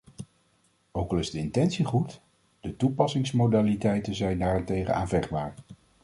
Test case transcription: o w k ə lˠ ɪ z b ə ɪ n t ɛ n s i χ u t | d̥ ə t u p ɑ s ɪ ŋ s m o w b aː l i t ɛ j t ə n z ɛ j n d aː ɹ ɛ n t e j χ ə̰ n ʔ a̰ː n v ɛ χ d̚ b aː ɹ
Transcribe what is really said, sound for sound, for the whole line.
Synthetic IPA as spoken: o w k ɑ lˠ ɪ z d ə ɪ n t ɛ n s i χ u t | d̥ ə t u p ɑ s ɪ ŋ s m o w d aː l i t ɛ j t ə n z ɛ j n d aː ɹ ɛ n t e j χ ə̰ n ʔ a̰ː n v ɛ χ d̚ b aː ɹ